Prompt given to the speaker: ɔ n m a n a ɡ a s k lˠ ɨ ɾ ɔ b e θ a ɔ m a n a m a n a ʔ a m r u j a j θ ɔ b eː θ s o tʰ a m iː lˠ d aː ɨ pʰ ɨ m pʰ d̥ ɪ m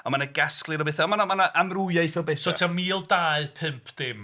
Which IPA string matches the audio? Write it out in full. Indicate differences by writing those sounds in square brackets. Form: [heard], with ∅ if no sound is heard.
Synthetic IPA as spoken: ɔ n m a n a ɡ a s k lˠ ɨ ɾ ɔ b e θ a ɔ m a n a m a n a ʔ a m r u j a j θ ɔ b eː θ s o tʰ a m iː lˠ d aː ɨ pʰ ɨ m pʰ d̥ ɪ m